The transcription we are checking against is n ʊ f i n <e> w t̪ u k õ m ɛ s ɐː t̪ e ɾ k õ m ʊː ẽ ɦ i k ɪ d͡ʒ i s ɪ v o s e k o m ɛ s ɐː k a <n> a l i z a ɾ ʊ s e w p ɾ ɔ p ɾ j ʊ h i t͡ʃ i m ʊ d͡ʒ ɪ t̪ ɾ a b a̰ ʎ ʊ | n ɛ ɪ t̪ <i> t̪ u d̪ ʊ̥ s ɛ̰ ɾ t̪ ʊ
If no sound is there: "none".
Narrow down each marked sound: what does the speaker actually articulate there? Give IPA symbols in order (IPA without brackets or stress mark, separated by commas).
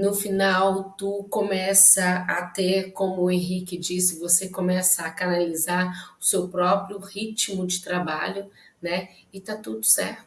a, n, a